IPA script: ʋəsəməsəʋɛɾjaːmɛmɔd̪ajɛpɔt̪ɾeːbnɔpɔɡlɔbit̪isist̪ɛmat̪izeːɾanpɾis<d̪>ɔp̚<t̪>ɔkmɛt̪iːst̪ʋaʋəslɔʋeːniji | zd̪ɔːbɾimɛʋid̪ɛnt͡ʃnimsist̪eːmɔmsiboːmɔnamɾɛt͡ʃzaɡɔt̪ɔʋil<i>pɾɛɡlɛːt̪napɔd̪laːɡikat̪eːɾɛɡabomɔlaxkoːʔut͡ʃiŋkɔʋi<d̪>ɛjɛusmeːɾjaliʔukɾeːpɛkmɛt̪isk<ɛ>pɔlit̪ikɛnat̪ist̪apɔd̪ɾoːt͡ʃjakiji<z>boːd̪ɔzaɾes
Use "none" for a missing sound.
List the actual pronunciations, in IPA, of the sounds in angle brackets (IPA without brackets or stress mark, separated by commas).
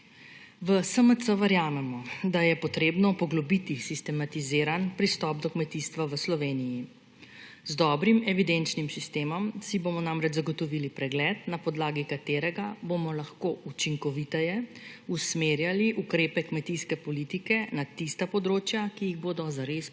t̪, d̪, i, t̪, ɛ, ɣ